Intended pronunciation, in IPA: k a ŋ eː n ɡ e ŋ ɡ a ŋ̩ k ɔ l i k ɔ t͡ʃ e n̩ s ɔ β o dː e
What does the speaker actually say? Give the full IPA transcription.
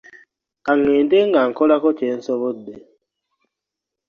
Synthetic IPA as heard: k a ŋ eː n d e ŋ ɡ a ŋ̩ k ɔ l a k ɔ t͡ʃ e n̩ s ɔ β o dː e